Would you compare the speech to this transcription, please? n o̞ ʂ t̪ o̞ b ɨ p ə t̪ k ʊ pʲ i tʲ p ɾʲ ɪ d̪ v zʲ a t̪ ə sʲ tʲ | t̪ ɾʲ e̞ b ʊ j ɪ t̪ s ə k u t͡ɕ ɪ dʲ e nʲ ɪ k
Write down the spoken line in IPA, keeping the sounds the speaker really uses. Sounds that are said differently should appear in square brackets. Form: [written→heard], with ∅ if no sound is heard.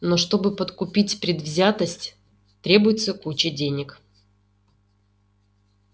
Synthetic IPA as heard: n o̞ ʂ t̪ o̞ b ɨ p ə t̪ k ʊ pʲ i tʲ p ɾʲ ɪ d̪ v zʲ a t̪ ə sʲ tʲ | t̪ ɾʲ e̞ b ʊ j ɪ t̪ s ə k u t͡ɕ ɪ dʲ e nʲ ɪ k